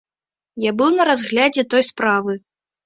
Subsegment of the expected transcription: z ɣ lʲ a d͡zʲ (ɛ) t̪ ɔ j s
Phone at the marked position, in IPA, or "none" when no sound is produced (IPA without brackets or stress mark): ɛ